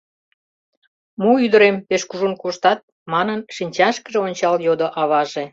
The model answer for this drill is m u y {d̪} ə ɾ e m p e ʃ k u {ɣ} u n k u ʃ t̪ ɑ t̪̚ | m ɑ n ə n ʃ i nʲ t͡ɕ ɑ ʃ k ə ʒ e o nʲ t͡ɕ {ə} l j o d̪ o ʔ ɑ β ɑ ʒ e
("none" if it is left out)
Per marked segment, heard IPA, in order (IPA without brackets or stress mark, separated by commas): d̪, ʒ, ɑ